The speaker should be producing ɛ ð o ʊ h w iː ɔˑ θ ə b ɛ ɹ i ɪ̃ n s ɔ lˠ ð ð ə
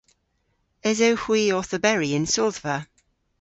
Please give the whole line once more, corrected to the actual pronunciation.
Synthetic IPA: ɛ z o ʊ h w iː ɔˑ θ ə b ɛ ɹ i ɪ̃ n s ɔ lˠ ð v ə

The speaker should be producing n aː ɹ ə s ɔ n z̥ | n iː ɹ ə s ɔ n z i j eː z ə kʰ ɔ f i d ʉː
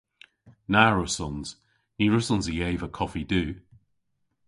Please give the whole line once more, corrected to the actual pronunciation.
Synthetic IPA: n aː ɹ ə s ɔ n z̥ | n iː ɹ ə s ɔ n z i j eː v ə kʰ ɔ f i d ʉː

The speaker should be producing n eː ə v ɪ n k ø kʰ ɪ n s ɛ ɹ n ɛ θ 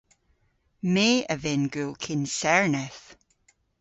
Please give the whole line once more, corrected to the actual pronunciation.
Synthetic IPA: m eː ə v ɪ n ɡ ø kʰ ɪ n s ɛ ɹ n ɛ θ

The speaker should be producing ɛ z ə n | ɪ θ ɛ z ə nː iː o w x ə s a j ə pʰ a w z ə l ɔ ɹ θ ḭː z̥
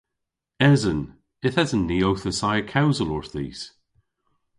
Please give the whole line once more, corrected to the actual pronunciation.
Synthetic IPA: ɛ z ə n | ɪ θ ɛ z ə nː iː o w θ ə s a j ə kʰ a w z ə l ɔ ɹ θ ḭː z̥

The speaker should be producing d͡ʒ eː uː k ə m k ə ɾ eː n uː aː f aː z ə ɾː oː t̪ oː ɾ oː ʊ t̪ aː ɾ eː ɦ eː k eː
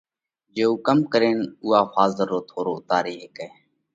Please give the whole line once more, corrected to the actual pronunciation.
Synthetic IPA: d͡ʒ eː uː k ə m k ə ɾ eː n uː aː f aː z ə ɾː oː t̪ʰ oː ɾ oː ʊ t̪ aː ɾ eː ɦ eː k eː

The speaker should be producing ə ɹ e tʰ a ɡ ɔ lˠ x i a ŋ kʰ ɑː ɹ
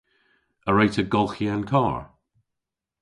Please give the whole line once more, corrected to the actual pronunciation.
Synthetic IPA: ə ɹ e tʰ ə ɡ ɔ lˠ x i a n kʰ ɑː ɹ

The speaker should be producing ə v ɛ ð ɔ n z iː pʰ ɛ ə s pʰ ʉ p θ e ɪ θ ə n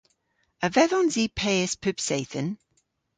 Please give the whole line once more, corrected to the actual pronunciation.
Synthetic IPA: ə v ɛ ð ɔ n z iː pʰ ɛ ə s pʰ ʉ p s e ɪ θ ə n

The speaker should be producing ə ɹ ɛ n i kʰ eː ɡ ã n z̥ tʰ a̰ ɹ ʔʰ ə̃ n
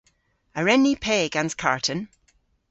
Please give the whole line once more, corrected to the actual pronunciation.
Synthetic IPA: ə ɹ ɛ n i pʰ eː ɡ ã n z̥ kʰ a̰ ɹ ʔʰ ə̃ n

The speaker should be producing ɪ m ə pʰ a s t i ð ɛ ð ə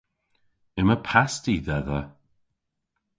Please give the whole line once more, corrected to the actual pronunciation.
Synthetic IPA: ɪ m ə pʰ a s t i ð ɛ ð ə

